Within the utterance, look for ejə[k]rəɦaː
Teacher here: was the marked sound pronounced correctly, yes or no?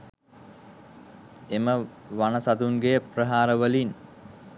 no